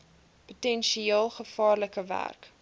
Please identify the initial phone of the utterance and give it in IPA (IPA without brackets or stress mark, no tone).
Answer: p